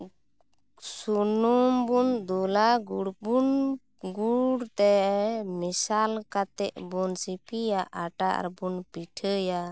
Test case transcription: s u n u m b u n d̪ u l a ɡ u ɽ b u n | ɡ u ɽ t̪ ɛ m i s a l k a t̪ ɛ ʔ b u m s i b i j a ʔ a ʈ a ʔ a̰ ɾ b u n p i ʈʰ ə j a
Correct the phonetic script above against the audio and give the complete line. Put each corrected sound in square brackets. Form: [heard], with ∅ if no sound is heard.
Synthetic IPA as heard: s u n u m b u n d̪ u l a ɡ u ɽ b u n | ɡ u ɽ t̪ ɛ m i s a l k a t̪ ɛ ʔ b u [n] s i [p] i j a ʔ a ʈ a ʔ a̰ ɾ b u n p i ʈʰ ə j a

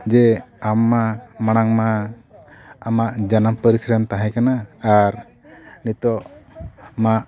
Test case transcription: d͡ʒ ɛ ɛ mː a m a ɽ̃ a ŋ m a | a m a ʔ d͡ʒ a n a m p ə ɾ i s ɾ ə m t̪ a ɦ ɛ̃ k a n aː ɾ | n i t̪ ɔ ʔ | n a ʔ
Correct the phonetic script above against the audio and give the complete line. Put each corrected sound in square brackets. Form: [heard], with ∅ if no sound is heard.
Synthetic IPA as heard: d͡ʒ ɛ [a] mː a m a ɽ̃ a ŋ m a | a m a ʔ d͡ʒ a n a m p ə ɾ i s ɾ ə m t̪ a ɦ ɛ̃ k a n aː ɾ | n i t̪ ɔ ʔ | [m] a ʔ

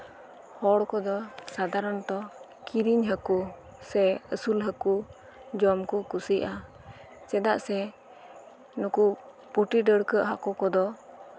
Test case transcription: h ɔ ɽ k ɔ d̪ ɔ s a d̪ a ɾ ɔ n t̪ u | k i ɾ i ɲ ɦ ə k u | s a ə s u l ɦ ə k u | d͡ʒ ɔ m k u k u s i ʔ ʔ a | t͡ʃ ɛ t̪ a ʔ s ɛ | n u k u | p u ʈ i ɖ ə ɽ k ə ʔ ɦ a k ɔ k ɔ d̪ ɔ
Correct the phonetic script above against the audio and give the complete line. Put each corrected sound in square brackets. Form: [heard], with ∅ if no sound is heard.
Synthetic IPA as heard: h ɔ ɽ k ɔ d̪ ɔ s a d̪ a ɾ ɔ n t̪ [ɔ] | k i ɾ i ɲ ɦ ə k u | s [ɛ] ə s u l ɦ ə k u | d͡ʒ ɔ m k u k u s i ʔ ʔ a | t͡ʃ ɛ [d̪] a ʔ s ɛ | n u k u | p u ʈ i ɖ ə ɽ k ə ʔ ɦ a k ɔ k ɔ d̪ ɔ

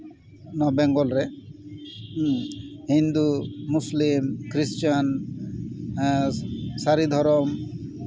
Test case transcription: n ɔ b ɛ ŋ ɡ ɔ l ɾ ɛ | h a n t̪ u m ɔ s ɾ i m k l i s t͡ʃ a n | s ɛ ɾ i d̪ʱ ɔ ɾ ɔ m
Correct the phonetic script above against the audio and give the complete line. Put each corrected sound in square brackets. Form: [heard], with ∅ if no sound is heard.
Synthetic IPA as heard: n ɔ b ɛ ŋ ɡ ɔ l ɾ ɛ | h [i] n [d̪] u m [u] s [l] i m k [ɾ] i s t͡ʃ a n | s [a] ɾ i d̪ʱ ɔ ɾ ɔ m

